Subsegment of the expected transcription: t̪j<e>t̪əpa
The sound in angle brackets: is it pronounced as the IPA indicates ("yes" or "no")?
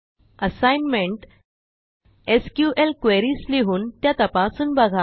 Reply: no